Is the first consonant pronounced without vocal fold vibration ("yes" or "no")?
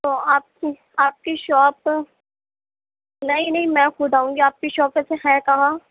yes